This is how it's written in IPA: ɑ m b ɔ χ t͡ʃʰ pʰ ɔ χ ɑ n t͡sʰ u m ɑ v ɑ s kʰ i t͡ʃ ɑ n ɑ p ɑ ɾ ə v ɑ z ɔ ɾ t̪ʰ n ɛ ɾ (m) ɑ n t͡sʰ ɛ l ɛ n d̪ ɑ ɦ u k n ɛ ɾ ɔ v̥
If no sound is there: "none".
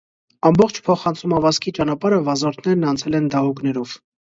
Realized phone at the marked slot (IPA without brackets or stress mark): n